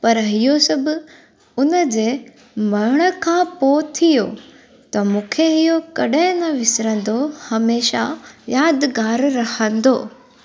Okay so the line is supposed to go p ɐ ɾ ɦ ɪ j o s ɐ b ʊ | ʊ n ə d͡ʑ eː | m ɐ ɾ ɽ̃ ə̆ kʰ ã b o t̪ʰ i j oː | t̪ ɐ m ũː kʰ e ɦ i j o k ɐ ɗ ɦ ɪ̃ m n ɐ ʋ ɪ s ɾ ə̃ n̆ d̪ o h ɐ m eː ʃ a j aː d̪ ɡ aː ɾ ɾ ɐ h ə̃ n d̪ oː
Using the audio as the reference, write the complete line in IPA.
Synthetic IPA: p ɐ ɾ ɦ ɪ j o s ɐ b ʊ | ʊ n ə d͡ʑ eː | m ɐ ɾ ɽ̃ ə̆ kʰ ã p o t̪ʰ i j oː | t̪ ɐ m ũː kʰ e ɦ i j o k ɐ ɗ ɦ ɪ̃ n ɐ ʋ ɪ s ɾ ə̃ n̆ d̪ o h ɐ m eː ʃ a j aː d̪ ɡ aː ɾ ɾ ɐ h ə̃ n d̪ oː

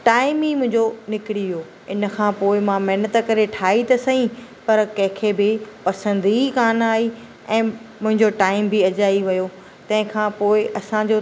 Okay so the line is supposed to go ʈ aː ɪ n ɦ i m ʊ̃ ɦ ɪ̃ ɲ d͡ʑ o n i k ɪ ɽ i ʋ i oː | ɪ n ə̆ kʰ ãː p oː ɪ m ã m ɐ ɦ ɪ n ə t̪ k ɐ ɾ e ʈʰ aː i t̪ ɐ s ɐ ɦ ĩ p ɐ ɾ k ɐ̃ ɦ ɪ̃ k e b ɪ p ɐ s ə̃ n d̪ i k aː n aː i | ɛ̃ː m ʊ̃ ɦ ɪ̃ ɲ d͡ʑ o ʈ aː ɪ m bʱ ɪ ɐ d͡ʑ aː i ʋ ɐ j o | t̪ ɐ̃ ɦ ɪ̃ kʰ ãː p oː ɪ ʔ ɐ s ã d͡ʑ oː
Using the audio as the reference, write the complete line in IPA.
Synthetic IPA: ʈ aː ɪ m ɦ i m ʊ̃ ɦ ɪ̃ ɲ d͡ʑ o n ɪ k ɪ ɽ i ʋ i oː | ɪ n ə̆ kʰ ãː p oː ɪ m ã m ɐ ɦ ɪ n ə t̪ k ɐ ɾ e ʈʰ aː i t̪ ɐ s ɐ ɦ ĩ p ɐ ɾ k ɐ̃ ɦ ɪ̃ kʰ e b ɪ p ɐ s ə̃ n d̪ i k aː n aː i | ɛ̃ː m ʊ̃ ɦ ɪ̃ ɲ d͡ʑ o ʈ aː ɪ m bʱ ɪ ɐ d͡ʑ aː i ʋ ɐ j o | t̪ ɐ̃ ɦ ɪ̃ kʰ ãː p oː ɪ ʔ ɐ s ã d͡ʑ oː

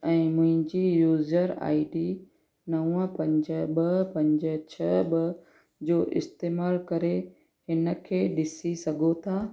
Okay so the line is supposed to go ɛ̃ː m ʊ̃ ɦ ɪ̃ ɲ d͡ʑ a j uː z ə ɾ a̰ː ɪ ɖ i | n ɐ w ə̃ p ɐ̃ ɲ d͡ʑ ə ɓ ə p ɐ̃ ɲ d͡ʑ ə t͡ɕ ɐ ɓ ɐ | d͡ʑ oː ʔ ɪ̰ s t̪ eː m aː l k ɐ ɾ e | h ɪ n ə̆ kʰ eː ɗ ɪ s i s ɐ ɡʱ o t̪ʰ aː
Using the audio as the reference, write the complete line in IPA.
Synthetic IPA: ɛ̃ː m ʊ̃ ɦ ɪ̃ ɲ d͡ʑ i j uː z ə ɾ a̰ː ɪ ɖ i | n ɐ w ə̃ p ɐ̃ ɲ d͡ʑ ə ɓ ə p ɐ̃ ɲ d͡ʑ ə t͡ɕʰ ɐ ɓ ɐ | d͡ʑ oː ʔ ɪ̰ s t̪ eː m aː l k ɐ ɾ e | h ɪ n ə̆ kʰ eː ɗ ɪ s i s ɐ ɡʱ o t̪ʰ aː

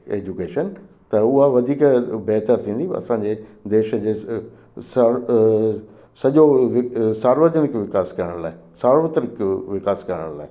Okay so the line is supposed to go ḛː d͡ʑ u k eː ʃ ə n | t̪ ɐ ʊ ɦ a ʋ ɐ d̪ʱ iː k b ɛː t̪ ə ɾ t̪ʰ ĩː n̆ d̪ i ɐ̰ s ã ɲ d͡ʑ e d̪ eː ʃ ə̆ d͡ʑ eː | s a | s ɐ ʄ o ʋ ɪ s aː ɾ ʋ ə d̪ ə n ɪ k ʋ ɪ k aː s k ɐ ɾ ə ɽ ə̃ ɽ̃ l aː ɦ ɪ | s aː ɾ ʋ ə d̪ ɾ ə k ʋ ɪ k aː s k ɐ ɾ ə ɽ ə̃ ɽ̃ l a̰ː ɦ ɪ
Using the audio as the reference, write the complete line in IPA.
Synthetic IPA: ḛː d͡ʑ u k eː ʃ ə n | t̪ ɐ ʊ ɦ a ʋ ɐ d̪ʱ iː k b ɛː t̪ ə ɾ t̪ʰ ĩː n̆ d̪ i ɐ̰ s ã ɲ d͡ʑ e d̪ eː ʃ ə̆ d͡ʑ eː | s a | s ɐ ʄ o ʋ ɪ s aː ɾ ʋ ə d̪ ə n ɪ k ʋ ɪ k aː s k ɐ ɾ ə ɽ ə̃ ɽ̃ l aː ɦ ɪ | s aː ɾ ʋ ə t̪ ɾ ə k ʋ ɪ k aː s k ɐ ɾ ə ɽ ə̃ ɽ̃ l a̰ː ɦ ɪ

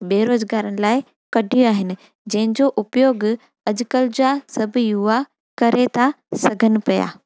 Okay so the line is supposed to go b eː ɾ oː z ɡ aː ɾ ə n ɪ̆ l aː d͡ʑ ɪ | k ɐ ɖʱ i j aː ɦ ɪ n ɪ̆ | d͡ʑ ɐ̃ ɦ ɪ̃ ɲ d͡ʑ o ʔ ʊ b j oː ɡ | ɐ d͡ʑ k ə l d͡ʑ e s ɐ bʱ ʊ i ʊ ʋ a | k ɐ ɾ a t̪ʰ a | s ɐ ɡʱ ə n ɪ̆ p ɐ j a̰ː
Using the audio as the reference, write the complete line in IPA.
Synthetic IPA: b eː ɾ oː z ɡ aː ɾ ə n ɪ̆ l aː ɪ | k ɐ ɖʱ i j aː ɦ ɪ n ɪ̆ | d͡ʑ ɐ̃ ɦ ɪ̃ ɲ d͡ʑ o ʔ ʊ p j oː ɡ | ɐ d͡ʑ k ə l d͡ʑ a s ɐ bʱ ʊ j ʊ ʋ a | k ɐ ɾ e t̪ʰ a | s ɐ ɡʱ ə n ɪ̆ p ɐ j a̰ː

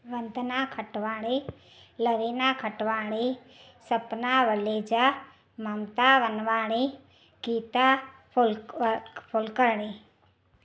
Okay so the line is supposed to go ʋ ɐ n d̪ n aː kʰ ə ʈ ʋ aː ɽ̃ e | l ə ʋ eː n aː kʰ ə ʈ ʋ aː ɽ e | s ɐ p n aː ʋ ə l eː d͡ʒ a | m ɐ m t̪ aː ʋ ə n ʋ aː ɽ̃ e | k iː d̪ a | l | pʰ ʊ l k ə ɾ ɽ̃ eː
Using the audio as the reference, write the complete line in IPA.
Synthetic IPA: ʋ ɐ n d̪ n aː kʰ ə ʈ ʋ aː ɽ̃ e | l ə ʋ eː n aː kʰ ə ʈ ʋ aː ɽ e | s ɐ p n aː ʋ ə l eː d͡ʒ a | m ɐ m t̪ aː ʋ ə n ʋ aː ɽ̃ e | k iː t̪ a | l | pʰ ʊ l k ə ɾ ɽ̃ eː

